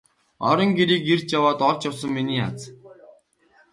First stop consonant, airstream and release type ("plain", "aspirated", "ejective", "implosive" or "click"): plain